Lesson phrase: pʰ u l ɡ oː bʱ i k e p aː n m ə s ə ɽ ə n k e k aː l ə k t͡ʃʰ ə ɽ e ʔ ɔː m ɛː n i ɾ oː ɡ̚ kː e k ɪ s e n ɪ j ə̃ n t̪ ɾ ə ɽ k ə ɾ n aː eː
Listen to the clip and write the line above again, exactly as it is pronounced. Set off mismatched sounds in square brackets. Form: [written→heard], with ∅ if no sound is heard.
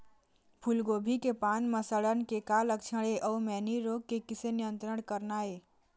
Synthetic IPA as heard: pʰ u l ɡ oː bʱ i k e p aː n m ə s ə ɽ ə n k e k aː l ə k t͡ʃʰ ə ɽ e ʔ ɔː m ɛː n i ɾ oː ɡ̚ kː e k ɪ s e n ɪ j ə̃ n t̪ ɾ ə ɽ k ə ɾ n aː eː